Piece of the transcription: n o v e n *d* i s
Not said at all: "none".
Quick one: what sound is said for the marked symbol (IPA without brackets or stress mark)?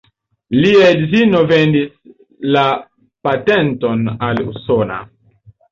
d